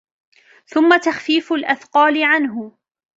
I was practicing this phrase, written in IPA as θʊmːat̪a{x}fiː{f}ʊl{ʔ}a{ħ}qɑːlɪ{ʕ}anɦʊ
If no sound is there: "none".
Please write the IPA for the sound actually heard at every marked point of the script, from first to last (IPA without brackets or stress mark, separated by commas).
x, f, ʔ, θ, ʕ